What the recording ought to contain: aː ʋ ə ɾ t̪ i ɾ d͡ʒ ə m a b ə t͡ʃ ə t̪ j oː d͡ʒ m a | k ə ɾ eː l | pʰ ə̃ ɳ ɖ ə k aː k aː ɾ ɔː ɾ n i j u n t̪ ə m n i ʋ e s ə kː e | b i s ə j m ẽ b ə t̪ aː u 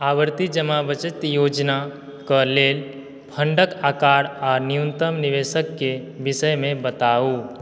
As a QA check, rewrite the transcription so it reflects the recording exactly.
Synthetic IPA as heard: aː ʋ ə ɾ t̪ i d͡ʒ ə m a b ə t͡ʃ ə t̪ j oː d͡ʒ n a | k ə l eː l | pʰ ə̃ ɳ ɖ ə k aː k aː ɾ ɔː ɾ n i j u n t̪ ə m n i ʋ e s ə kː e | b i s ə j m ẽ b ə t̪ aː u